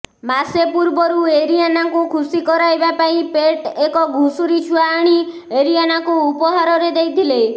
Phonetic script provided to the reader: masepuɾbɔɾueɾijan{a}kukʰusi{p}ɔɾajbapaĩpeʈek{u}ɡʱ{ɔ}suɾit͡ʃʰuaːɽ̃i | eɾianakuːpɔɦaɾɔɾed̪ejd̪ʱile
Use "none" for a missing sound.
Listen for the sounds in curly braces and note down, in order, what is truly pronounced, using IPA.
a, k, ɔ, u

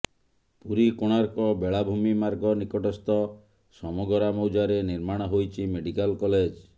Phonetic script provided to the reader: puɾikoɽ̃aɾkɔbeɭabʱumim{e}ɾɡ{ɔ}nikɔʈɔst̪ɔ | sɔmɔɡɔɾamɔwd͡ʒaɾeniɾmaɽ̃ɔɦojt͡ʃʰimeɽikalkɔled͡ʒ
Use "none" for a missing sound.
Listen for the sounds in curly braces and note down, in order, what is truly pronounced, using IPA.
a, ɔ

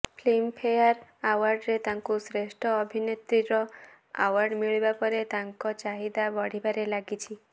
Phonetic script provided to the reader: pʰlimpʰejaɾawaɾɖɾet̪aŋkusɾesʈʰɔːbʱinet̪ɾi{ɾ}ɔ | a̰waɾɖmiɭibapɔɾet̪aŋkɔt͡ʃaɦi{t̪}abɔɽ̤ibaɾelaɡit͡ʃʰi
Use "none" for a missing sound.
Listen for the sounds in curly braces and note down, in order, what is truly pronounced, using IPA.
ɾ, d̪

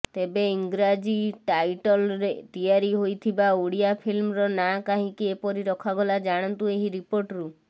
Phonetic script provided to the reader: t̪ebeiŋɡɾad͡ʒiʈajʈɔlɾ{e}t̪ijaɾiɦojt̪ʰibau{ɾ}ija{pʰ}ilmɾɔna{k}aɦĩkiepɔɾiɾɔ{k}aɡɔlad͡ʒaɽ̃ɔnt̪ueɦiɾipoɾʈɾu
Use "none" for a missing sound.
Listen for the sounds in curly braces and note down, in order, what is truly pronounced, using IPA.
e, ɽ, pʰ, k, kʰ

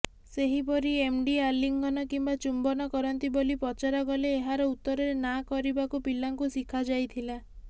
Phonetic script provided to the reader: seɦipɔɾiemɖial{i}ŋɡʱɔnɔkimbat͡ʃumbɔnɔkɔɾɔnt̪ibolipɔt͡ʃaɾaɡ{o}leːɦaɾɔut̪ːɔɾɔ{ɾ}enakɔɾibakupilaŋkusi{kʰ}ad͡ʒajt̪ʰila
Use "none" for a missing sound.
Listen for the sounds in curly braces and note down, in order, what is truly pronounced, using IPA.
i, ɔ, ɾ, kʰ

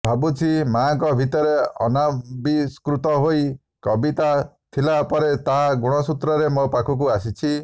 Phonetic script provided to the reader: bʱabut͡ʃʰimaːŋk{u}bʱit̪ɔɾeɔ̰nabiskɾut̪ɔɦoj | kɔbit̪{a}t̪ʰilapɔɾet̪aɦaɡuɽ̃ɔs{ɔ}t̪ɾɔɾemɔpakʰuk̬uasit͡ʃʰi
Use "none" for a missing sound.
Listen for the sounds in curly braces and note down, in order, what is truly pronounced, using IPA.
ɔ, a, u

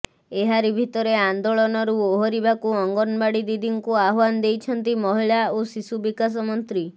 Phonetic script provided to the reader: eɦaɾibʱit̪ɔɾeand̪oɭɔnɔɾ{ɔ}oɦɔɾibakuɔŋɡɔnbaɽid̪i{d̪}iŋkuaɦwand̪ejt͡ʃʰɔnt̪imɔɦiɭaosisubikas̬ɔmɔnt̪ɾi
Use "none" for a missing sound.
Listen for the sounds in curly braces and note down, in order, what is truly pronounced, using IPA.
u, d̪

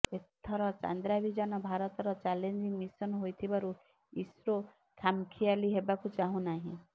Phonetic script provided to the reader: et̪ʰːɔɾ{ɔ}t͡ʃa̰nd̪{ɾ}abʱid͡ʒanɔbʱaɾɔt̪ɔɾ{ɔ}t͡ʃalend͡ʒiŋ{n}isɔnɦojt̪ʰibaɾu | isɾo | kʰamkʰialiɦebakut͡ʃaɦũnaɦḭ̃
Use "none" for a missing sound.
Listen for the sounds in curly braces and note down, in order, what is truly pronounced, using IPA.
ɔ, ɾ, ɔ, m

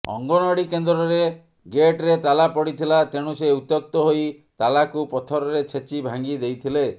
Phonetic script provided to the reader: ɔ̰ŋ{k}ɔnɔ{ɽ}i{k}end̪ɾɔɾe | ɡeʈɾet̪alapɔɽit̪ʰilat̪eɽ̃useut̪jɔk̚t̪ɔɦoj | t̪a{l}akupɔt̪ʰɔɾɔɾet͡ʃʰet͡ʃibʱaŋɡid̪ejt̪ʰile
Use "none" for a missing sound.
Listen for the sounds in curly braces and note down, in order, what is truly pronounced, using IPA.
ɡ, ɽ, k, l

